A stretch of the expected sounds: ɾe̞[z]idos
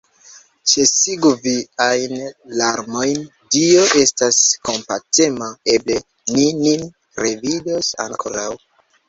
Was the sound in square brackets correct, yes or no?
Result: no